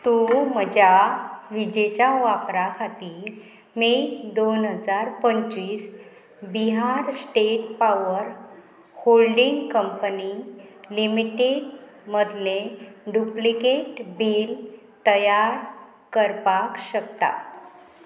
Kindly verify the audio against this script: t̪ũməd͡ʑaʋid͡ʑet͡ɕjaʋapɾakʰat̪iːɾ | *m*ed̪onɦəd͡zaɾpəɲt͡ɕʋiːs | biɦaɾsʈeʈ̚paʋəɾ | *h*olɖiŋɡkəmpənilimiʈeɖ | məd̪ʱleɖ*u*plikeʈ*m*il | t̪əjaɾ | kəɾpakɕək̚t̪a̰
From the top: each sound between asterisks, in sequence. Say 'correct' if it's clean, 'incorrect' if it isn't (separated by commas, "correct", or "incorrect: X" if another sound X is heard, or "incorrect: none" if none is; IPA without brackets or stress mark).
correct, correct, correct, incorrect: b